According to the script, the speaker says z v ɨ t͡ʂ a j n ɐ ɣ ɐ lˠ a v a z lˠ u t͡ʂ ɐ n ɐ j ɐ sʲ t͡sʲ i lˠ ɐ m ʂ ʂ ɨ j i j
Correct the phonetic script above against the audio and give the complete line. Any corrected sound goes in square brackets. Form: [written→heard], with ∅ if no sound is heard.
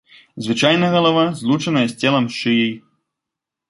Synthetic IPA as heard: z v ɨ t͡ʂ a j n ɐ ɣ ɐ lˠ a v a z lˠ u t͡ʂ ɐ n ɐ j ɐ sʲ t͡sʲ [i→ɛ] lˠ ɐ m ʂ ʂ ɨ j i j